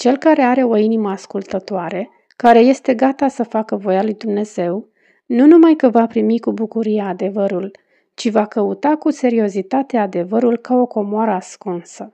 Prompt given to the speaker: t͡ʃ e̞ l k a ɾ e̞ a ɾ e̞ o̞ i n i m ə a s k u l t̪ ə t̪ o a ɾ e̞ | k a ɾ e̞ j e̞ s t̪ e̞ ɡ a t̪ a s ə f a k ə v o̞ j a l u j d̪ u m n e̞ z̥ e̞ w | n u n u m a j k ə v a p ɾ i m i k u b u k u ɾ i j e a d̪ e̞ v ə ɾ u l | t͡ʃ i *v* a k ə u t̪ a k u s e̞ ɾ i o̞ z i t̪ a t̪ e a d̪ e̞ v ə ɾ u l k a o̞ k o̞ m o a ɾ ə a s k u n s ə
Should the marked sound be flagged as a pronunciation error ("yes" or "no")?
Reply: no